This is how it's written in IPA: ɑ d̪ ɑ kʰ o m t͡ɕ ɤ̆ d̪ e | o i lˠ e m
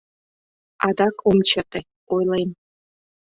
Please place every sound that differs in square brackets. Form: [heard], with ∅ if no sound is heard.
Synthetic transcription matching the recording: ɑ d̪ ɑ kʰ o m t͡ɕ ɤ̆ [t̪] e | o [j] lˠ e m